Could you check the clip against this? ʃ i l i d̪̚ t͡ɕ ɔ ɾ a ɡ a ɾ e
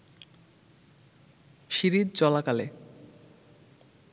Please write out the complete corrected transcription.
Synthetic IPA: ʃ i ɾ i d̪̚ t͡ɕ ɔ l a k a l e